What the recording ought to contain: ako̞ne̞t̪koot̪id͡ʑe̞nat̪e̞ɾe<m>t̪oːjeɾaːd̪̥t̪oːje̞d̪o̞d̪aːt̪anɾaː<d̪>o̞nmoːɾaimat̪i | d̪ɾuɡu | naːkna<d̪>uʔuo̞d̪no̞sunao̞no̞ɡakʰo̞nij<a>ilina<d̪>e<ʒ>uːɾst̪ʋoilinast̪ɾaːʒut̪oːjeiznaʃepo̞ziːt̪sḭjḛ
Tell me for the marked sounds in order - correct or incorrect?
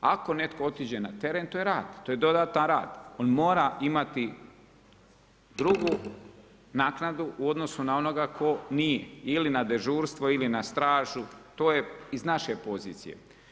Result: incorrect: n, correct, correct, incorrect: e, correct, correct

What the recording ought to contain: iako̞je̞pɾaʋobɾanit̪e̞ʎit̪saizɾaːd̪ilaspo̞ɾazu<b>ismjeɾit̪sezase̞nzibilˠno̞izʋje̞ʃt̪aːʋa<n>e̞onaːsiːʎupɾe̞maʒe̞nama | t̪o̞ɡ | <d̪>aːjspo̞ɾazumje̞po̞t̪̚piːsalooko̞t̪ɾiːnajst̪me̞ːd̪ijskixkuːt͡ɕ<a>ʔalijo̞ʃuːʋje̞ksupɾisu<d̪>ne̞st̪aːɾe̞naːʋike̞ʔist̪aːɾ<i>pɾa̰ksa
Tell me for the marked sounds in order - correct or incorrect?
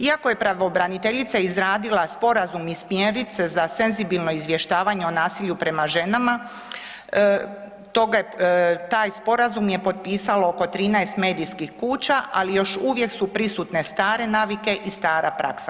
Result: incorrect: m, incorrect: ɲ, incorrect: t̪, correct, incorrect: t̪, incorrect: a

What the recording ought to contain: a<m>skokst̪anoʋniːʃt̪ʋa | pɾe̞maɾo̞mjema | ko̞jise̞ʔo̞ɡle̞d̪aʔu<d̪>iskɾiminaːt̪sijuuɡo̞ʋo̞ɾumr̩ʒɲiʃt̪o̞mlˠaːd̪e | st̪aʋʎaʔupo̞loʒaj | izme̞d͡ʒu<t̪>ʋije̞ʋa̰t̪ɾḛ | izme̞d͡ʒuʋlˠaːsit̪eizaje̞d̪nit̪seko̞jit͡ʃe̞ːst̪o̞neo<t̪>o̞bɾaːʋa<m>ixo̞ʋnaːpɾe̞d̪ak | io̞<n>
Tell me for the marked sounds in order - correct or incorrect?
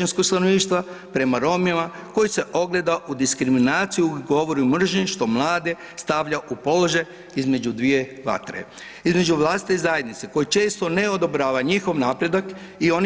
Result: incorrect: n, correct, incorrect: d̪, incorrect: d̪, incorrect: ɲ, correct

